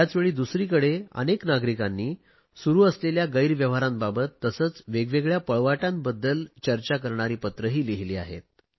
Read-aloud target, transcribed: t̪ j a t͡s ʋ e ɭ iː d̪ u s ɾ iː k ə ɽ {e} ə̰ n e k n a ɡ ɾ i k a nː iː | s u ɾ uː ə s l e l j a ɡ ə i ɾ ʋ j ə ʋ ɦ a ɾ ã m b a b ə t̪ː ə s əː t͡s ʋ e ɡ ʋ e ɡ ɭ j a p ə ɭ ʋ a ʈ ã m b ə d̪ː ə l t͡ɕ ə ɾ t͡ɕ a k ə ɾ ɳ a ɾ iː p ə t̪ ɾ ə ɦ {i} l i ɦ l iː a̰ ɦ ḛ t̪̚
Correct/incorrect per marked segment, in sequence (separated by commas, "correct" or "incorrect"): correct, incorrect